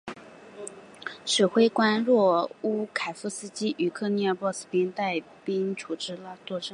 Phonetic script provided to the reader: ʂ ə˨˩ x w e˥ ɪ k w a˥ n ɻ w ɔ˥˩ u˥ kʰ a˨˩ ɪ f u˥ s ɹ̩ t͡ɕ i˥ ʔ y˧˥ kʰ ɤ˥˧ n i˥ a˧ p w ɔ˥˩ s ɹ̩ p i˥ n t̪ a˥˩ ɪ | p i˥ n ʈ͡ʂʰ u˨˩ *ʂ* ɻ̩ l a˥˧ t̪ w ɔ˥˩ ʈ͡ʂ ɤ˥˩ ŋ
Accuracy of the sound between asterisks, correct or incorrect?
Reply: incorrect